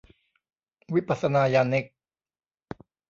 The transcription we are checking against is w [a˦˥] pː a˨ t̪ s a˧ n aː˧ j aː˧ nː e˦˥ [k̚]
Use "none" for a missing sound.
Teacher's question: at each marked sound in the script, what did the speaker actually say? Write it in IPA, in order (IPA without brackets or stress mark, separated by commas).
i˦˥, k̚